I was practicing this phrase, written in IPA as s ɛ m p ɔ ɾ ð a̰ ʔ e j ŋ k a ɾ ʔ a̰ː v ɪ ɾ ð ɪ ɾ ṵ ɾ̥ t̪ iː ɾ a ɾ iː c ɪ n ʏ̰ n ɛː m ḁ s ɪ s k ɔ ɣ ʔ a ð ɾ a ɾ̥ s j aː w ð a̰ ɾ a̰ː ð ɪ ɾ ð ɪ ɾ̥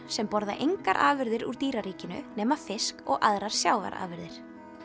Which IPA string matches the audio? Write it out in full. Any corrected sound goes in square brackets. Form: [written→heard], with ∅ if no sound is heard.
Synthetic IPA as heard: s ɛ m p ɔ ɾ ð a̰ ʔ e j ŋ k a ɾ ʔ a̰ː v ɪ ɾ ð ɪ ɾ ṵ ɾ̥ t̪ iː ɾ a ɾ iː c ɪ n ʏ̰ n ɛː m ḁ [s→f] ɪ s k ɔ ɣ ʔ a ð ɾ a ɾ̥ s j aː w [ð→v] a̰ ɾ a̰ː [ð→v] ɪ ɾ ð ɪ ɾ̥